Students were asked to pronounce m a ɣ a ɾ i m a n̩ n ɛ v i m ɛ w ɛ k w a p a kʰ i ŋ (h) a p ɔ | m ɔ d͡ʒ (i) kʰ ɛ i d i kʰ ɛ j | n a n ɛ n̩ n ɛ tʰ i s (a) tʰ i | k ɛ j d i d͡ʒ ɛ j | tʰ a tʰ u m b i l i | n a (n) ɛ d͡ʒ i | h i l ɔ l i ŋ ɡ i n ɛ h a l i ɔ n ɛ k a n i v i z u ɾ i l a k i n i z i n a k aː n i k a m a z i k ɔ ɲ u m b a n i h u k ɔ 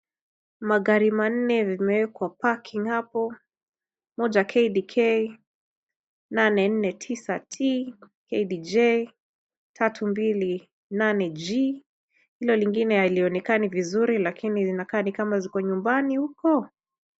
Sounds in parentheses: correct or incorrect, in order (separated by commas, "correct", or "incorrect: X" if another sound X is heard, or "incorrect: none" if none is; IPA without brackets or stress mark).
correct, incorrect: a, correct, correct